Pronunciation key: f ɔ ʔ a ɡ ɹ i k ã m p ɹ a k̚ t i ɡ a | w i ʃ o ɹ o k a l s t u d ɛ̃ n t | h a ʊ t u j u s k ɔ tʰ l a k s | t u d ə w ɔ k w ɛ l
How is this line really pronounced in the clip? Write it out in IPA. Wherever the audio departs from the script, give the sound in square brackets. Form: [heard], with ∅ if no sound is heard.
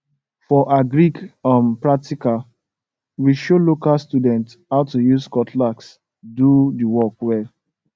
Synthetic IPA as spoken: f ɔ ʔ a ɡ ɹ i k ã m p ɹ a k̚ t i [k] a | w i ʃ o [l] o k a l s t u d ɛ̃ n t | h a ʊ t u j u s k ɔ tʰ l a k s | [d] u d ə w ɔ k w ɛ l